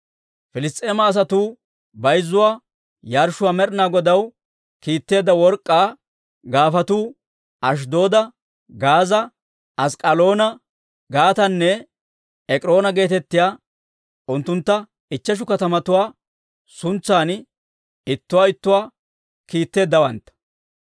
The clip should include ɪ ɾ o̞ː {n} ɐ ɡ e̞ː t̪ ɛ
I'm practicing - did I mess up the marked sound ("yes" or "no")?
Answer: no